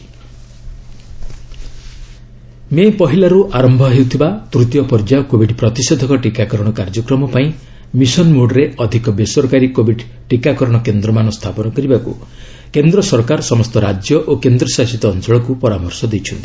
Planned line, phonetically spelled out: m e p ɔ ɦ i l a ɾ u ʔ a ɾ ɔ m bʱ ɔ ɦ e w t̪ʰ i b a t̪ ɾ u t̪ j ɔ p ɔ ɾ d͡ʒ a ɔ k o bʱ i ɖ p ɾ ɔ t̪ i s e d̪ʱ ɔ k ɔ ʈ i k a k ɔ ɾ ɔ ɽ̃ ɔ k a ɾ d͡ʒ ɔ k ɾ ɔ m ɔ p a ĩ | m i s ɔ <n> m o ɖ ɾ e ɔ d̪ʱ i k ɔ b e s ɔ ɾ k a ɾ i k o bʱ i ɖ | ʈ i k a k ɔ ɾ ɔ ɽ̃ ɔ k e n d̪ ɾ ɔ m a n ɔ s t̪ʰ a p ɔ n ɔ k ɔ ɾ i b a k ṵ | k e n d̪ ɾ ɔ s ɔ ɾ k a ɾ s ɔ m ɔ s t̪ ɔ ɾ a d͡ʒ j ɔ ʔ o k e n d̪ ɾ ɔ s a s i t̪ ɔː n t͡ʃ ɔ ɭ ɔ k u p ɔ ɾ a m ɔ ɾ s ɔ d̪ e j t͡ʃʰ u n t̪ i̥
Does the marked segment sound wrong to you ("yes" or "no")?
no